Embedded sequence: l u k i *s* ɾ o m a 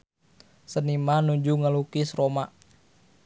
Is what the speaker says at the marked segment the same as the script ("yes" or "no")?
yes